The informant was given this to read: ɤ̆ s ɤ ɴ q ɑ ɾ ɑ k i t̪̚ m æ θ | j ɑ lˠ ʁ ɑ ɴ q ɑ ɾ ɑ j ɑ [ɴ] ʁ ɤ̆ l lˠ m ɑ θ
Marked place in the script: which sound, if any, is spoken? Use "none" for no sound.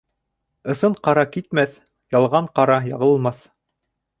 none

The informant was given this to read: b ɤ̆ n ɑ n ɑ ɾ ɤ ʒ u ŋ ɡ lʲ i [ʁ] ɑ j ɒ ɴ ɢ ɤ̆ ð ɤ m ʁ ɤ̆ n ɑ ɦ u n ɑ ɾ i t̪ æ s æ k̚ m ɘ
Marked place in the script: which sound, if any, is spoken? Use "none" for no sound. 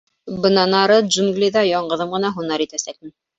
ð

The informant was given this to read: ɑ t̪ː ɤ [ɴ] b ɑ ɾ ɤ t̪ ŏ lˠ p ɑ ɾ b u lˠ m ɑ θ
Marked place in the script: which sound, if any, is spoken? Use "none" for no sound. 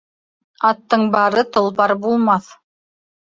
ɴ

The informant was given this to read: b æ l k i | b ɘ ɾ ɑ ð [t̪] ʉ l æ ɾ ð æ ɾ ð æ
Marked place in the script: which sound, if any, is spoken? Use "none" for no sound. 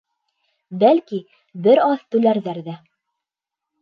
t̪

